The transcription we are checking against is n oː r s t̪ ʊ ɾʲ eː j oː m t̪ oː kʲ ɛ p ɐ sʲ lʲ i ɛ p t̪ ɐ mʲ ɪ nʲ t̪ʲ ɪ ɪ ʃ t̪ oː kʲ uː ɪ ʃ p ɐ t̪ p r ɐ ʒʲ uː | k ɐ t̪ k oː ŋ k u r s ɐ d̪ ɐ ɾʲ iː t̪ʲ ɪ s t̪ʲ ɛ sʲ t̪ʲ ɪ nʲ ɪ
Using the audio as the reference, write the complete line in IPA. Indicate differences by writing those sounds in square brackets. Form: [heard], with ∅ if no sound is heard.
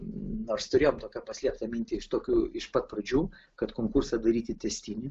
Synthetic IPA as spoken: n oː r s t̪ ʊ ɾʲ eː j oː m t̪ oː kʲ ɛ p ɐ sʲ lʲ i ɛ p t̪ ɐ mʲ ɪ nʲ t̪ʲ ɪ ɪ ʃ t̪ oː kʲ uː ɪ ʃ p ɐ t̪ p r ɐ [d͡ʒʲ] uː | k ɐ t̪ k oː ŋ k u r s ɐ d̪ ɐ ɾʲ iː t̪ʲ ɪ [∅] t̪ʲ ɛ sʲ t̪ʲ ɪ nʲ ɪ